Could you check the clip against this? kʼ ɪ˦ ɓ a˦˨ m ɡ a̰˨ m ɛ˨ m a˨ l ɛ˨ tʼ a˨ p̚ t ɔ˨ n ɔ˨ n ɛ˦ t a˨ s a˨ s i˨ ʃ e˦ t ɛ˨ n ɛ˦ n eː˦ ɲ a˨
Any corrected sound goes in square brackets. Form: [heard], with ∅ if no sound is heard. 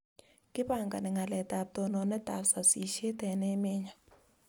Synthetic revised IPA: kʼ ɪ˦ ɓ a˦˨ [ŋ] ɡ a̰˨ [n] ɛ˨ [ŋ] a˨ l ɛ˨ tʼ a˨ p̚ t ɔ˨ n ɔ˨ n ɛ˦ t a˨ s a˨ s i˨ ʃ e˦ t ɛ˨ n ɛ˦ [m] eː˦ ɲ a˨